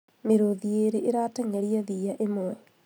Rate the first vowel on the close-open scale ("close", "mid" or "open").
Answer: mid